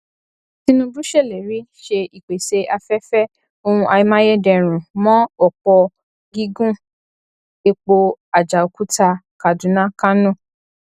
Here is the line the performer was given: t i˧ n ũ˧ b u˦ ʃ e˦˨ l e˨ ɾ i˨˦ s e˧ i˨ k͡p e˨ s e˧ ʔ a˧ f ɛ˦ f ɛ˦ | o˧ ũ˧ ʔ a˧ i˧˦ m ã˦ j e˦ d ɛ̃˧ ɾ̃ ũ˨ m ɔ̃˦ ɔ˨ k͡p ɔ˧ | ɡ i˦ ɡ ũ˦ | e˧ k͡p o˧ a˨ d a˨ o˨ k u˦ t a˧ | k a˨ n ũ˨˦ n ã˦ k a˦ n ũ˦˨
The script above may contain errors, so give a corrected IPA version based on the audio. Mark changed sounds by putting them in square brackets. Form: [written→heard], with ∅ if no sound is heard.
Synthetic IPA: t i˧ n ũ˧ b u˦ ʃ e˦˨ l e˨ ɾ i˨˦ [s→ʃ] e˧ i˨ k͡p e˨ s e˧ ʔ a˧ f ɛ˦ f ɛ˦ | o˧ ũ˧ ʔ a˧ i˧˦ m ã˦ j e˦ d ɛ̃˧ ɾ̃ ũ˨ m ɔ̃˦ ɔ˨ k͡p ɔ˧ | ɡ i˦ ɡ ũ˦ | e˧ k͡p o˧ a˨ [d→d͡ʒ] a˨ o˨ k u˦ t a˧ | k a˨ [n→d] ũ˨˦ n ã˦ k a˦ n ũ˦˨

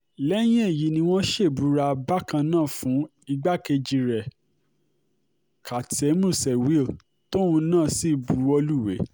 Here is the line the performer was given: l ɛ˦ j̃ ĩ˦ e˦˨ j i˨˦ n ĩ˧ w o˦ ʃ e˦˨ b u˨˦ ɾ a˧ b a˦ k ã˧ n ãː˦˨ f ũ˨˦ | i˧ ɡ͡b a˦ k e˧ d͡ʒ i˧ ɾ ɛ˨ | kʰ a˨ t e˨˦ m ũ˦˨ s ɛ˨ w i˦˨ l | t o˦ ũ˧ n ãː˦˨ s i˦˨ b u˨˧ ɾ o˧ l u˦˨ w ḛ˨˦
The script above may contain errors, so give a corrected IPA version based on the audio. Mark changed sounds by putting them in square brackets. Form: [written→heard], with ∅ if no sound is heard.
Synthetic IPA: l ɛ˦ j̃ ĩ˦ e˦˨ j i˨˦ n ĩ˧ w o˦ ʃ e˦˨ b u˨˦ ɾ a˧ b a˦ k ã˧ n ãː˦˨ f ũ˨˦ | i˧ ɡ͡b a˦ k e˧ d͡ʒ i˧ ɾ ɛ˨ | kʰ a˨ t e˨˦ m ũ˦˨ s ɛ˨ w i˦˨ l | t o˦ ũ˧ n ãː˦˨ s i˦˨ b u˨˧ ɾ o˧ l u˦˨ w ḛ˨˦

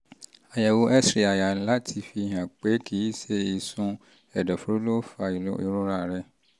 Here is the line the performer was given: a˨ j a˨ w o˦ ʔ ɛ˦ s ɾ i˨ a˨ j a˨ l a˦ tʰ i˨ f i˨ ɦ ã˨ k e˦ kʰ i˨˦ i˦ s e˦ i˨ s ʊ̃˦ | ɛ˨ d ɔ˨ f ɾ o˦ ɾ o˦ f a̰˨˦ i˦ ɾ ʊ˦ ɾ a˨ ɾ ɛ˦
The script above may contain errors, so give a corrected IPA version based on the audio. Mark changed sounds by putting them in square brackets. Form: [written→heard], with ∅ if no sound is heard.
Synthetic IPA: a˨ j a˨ w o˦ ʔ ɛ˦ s ɾ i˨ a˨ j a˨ l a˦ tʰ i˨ f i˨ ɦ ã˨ [k→k͡p] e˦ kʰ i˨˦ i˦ s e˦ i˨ s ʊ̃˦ | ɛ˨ d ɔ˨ f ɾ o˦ [ɾ→l] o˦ f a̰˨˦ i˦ ɾ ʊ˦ ɾ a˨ ɾ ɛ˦

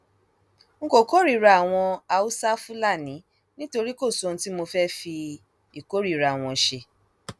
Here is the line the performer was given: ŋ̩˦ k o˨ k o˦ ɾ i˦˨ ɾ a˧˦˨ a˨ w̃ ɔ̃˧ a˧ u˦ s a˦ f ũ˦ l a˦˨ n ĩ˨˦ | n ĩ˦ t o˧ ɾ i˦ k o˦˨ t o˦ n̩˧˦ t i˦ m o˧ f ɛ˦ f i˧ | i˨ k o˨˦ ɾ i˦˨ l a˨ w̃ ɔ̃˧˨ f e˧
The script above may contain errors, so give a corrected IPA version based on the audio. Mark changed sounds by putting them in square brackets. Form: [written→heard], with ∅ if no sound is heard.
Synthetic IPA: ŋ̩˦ k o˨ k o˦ ɾ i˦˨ ɾ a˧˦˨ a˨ w̃ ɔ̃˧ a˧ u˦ s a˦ f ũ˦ l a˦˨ n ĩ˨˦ | n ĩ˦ t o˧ ɾ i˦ k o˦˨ [t→s] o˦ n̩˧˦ t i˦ m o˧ f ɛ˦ f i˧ | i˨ k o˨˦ ɾ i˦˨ [l→ɾ] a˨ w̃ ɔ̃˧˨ [f→ʃ] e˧

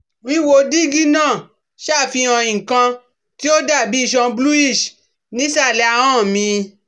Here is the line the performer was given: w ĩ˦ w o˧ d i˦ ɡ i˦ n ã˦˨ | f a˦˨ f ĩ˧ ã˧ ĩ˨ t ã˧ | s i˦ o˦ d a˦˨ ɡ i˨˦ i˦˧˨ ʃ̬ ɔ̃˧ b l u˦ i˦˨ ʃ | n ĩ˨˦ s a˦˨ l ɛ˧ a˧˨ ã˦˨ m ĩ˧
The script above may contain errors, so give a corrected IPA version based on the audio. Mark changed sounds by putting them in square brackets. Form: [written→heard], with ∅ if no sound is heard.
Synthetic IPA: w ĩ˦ w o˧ d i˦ ɡ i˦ n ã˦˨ | [f→ʃ] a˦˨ f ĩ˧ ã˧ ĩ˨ [t→k] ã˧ | [s→t] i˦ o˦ d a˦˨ [ɡ→b] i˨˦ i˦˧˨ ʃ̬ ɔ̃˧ b l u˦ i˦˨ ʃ | n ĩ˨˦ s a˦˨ l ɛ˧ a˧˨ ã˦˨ m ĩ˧

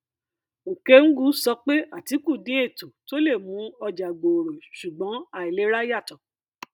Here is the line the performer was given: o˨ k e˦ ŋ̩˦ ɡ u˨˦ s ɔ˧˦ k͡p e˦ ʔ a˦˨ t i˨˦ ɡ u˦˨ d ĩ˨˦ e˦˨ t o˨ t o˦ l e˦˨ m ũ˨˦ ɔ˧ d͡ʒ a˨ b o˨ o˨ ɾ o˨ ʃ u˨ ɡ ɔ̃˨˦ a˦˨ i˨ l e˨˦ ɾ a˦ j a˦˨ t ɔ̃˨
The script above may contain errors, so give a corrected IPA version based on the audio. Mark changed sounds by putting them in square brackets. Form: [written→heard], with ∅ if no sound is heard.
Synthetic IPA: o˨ k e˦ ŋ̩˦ ɡ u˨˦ s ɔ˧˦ k͡p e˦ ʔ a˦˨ t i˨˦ [ɡ→k] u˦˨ d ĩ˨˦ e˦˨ t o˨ t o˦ l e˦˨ m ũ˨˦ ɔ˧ d͡ʒ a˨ [b→ɡ͡b] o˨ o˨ ɾ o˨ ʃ u˨ [ɡ→ɡ͡b] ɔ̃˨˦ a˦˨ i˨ l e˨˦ ɾ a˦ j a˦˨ t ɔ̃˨

